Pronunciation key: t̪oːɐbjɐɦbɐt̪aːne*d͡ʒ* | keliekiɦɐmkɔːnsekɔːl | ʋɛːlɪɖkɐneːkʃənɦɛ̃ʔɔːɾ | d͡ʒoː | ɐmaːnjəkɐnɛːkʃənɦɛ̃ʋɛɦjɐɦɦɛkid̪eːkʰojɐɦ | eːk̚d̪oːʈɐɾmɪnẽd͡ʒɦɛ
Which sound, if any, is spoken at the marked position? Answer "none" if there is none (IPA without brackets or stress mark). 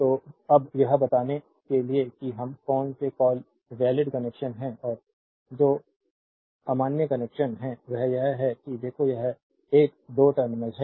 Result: none